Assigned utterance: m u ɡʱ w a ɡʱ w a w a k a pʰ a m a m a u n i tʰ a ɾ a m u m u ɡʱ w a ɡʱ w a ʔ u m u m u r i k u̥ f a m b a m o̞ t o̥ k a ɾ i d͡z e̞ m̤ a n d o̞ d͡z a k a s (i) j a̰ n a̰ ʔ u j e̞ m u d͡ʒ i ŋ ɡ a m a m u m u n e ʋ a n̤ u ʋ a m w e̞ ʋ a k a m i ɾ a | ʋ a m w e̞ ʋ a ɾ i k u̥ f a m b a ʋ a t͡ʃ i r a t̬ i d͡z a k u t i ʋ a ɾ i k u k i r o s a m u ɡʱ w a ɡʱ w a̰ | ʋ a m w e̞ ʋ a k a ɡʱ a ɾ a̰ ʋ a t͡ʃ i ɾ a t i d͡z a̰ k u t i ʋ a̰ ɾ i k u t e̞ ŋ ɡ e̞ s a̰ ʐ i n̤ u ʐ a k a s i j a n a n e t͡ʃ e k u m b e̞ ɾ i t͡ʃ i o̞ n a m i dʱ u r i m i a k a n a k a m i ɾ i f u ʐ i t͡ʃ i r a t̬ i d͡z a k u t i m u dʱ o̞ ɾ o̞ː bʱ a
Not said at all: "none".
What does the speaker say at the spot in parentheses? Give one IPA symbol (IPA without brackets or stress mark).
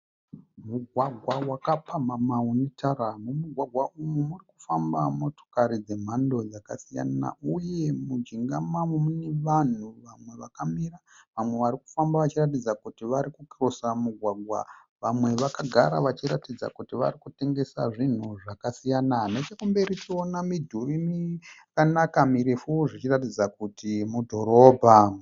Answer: i